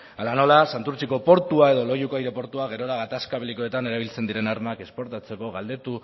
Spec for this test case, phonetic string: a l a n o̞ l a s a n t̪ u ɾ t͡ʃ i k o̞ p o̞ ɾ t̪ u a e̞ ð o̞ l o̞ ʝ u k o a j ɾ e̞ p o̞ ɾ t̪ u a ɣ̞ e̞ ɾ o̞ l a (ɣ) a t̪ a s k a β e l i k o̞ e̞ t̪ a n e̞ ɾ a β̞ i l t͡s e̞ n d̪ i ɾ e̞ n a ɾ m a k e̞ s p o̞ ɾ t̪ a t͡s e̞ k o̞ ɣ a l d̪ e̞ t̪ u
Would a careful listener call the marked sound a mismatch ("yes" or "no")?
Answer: no